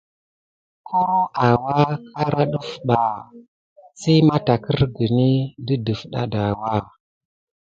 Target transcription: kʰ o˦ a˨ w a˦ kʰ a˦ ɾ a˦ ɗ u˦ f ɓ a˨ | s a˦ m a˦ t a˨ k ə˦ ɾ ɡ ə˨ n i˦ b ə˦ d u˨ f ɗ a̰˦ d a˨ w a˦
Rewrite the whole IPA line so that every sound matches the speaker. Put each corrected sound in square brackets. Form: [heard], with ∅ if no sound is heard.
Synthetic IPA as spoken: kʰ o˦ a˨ w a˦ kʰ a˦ ɾ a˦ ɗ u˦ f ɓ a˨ | s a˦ m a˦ t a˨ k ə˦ ɾ ɡ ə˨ n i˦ [d] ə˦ d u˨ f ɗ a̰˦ d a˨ w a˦